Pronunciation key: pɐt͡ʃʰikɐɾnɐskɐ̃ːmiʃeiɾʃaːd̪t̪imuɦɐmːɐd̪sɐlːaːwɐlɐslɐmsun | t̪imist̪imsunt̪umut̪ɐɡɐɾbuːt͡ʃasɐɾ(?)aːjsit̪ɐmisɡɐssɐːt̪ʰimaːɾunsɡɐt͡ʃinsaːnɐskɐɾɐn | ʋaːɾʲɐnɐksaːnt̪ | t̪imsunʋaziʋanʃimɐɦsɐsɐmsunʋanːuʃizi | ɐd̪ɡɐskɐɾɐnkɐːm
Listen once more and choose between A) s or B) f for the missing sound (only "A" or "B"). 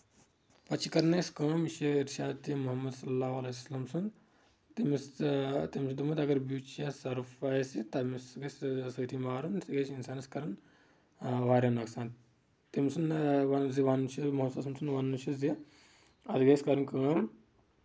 B